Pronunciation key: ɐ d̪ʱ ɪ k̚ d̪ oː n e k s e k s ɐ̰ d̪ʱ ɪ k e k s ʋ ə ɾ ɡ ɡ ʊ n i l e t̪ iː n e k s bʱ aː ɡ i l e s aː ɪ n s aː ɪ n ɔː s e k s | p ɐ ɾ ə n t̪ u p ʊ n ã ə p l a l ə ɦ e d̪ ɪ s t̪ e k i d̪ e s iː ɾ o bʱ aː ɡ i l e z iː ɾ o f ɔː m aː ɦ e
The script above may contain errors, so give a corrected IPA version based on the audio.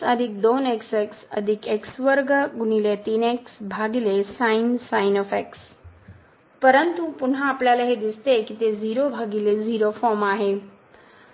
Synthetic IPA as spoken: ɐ d̪ʱ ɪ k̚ d̪ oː n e k s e k s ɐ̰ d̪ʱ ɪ k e k s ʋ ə ɾ ɡ ɡ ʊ n i l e t̪ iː n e k s bʱ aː ɡ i l e s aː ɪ n s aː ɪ n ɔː f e k s | p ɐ ɾ ə n t̪ u p ʊ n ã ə p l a l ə ɦ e d̪ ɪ s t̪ e k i t̪ e z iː ɾ o bʱ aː ɡ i l e z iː ɾ o f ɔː m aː ɦ e